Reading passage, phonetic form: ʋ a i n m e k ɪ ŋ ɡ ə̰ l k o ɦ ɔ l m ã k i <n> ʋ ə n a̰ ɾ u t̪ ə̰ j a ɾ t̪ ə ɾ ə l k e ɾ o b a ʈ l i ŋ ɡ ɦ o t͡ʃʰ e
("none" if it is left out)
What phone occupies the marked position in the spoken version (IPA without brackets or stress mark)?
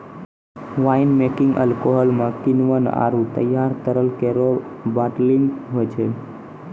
n